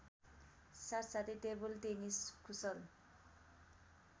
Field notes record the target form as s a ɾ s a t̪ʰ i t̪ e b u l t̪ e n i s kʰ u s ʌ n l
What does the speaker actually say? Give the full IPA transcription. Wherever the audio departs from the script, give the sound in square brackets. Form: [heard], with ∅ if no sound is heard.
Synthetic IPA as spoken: s a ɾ s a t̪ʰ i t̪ e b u l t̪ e n i s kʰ u s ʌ [∅] l